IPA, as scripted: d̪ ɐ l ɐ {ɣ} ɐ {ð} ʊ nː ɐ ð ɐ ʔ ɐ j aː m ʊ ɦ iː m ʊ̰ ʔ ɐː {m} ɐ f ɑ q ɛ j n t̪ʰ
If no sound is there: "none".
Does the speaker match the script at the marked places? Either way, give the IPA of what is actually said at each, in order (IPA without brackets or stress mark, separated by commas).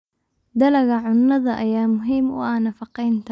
ɣ, ʕ, n